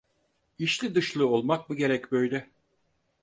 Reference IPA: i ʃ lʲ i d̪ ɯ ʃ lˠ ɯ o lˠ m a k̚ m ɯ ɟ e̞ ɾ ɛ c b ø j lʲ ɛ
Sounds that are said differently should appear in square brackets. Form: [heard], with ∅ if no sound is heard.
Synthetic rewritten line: i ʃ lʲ i d̪ ɯ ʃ lˠ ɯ o lˠ m a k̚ m ɯ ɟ e̞ ɾ ɛ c b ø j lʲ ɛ